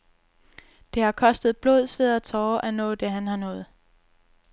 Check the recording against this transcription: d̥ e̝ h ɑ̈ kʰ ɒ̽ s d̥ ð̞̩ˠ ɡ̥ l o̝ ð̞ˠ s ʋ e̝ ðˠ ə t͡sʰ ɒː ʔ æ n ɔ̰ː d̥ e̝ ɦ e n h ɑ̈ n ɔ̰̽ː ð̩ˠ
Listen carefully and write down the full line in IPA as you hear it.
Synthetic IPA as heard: d̥ e̝ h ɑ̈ kʰ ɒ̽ s d̥ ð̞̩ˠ b̥ l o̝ ð̞ˠ s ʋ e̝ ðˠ ɐ t͡sʰ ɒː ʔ æ n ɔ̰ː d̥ e̝ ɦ æ n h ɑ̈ n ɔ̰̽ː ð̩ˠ